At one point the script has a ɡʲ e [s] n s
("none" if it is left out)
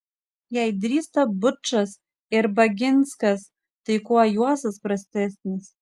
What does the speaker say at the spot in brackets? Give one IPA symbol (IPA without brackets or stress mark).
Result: none